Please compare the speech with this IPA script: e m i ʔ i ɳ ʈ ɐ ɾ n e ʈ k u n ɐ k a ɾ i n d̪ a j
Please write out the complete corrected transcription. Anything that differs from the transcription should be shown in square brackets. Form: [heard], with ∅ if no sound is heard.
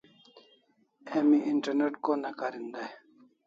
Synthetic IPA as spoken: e m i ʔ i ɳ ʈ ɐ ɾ n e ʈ k [o] n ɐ k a ɾ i n d̪ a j